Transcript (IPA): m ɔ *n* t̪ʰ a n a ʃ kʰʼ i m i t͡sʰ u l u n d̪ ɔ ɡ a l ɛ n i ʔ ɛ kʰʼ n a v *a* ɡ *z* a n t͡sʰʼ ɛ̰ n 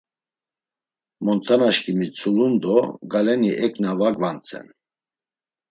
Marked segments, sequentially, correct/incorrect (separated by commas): correct, correct, incorrect